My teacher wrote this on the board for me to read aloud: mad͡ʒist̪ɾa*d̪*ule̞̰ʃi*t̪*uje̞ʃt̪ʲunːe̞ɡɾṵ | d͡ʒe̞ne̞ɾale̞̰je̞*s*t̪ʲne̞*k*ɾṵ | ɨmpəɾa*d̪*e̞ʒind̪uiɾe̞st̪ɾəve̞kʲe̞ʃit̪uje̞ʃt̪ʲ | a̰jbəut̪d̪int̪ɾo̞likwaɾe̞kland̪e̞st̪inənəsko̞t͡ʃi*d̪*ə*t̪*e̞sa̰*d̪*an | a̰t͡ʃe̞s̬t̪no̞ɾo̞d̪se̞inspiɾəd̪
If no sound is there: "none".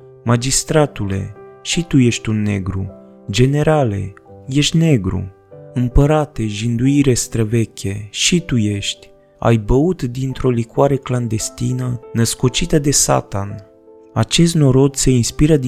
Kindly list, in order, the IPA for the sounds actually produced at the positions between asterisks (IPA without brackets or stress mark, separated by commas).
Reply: t̪, t̪, ʃ, ɡ, t̪, t̪, d̪, t̪